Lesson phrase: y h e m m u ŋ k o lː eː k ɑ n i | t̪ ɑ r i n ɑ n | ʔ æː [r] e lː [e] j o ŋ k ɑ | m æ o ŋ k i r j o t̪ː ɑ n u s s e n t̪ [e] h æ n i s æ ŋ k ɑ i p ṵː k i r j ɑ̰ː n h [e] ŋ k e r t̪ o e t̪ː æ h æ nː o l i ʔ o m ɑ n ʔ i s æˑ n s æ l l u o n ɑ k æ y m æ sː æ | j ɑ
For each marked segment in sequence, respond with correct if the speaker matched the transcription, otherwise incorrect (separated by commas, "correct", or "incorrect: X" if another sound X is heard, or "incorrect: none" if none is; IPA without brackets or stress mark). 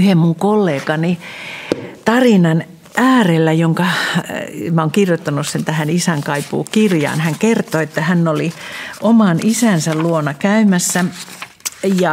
correct, incorrect: æ, incorrect: æ, incorrect: æ